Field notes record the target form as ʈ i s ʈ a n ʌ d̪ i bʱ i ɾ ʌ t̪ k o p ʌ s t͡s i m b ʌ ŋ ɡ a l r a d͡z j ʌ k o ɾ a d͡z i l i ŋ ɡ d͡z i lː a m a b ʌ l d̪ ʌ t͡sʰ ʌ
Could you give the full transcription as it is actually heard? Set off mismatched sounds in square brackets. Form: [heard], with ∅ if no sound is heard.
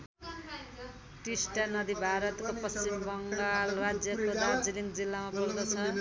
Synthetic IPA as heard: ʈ i s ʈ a n ʌ d̪ i bʱ [a] ɾ ʌ t̪ k o p ʌ s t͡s i m b ʌ ŋ ɡ a l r a d͡z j ʌ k o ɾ a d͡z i l i ŋ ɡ d͡z i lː a m a b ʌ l d̪ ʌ t͡sʰ ʌ